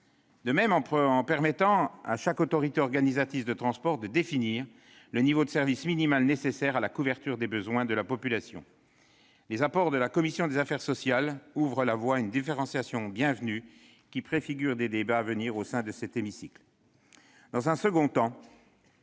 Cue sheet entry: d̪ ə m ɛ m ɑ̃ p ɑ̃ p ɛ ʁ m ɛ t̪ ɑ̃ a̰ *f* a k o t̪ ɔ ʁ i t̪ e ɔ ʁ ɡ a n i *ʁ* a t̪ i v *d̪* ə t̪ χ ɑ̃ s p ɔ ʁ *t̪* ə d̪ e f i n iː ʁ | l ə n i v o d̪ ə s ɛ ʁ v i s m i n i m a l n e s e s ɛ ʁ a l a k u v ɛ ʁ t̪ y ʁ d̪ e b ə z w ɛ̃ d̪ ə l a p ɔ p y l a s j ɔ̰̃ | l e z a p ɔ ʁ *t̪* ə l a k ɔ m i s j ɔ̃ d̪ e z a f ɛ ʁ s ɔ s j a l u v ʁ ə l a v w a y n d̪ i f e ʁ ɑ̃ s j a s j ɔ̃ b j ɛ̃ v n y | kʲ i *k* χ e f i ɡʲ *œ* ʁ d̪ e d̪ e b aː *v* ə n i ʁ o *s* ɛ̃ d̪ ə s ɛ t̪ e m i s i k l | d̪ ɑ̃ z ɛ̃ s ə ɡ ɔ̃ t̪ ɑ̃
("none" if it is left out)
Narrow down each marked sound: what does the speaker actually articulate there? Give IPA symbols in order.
ʃ, z, d̪, d̪, d̪, p, y, v, s

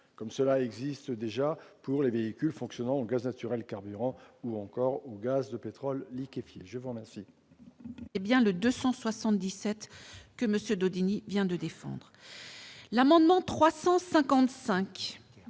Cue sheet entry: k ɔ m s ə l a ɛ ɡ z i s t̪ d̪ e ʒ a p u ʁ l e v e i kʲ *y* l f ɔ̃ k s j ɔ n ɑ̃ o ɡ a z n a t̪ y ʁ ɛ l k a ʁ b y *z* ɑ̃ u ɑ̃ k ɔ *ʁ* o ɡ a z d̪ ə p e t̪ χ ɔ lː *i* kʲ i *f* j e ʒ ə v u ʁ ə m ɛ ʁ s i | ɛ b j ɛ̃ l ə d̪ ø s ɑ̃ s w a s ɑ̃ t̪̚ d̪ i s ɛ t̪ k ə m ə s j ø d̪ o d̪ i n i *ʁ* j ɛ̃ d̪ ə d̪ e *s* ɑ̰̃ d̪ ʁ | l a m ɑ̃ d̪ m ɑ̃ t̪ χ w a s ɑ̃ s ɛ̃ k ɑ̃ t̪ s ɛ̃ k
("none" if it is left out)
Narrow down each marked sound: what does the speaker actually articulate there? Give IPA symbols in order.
y, ʁ, ʁ, i, f, v, f

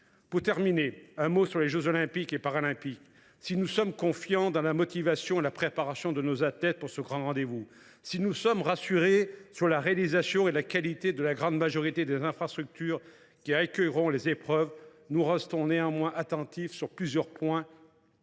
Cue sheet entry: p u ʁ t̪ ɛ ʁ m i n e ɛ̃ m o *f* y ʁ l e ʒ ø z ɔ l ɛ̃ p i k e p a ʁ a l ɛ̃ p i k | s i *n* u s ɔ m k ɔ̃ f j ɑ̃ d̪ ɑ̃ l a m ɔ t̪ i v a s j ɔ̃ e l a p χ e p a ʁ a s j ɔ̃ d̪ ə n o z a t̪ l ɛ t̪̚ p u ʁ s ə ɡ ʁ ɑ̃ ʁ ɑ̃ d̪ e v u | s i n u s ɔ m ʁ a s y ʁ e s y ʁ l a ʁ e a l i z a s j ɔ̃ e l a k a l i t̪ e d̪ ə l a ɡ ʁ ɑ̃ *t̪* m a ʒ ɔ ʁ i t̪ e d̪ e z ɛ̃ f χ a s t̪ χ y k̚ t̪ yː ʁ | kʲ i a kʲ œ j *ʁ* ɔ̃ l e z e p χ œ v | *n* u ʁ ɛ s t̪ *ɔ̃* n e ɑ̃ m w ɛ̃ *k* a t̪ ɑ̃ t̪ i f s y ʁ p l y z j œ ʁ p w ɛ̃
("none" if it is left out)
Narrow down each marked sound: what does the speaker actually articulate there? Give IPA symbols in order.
s, n, d̪, ʁ, n, ɔ̃, ʔ

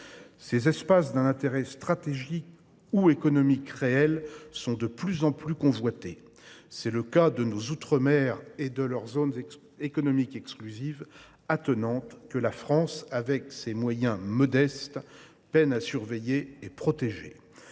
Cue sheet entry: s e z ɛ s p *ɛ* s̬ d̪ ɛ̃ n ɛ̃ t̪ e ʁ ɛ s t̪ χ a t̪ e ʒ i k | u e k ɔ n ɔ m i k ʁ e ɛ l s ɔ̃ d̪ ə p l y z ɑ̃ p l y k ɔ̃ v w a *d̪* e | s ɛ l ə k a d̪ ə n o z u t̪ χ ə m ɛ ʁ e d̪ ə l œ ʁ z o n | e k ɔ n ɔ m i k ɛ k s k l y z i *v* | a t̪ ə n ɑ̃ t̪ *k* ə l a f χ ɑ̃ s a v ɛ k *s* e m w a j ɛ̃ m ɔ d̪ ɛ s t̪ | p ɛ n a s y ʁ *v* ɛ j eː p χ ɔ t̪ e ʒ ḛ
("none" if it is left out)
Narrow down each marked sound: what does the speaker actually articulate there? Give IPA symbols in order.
a, t̪, v, k, s, v

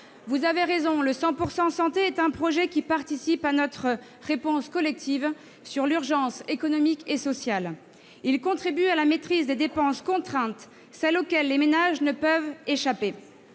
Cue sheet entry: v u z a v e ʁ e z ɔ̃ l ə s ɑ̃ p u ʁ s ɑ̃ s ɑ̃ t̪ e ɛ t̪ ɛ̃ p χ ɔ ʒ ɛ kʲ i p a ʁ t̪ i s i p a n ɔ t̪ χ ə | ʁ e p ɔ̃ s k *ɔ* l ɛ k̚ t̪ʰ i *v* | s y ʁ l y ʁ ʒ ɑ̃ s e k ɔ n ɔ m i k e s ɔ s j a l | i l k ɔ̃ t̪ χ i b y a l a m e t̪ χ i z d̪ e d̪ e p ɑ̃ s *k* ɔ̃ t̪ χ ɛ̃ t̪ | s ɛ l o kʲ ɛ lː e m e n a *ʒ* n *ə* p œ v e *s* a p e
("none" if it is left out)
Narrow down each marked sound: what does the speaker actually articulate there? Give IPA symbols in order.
ɔ, v, k, ʒ, ə, ʃ

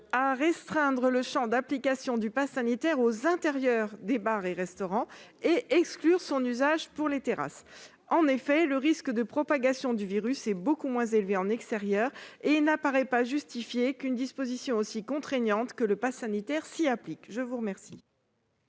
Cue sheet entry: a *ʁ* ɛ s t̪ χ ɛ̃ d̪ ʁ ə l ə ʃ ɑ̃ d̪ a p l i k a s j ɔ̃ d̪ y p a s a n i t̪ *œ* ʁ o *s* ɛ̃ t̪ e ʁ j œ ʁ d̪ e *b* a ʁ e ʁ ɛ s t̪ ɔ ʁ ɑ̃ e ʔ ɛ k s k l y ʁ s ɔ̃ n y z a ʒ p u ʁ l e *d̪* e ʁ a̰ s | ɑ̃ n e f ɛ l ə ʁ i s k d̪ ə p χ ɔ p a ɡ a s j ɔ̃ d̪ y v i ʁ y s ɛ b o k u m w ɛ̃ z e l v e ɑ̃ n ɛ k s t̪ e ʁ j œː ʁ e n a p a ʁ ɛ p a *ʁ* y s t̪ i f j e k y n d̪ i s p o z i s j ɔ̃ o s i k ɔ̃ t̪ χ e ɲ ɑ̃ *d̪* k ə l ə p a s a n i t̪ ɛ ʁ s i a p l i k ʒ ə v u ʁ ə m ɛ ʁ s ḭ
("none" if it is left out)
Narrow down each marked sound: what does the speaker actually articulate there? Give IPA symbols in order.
ʁ, ɛ, z, b, t̪, ʒ, t̪

